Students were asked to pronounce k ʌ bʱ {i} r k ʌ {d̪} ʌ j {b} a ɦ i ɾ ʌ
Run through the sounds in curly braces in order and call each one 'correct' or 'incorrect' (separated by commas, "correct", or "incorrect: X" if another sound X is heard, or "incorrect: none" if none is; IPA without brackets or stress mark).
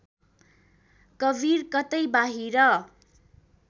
correct, incorrect: t̪, correct